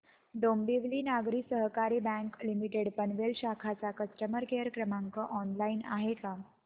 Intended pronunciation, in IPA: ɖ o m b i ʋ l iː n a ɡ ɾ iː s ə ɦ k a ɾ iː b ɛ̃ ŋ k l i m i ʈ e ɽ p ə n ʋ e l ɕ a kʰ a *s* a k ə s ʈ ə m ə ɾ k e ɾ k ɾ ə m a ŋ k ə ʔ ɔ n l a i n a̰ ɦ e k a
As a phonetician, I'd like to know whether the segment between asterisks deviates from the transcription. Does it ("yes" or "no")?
yes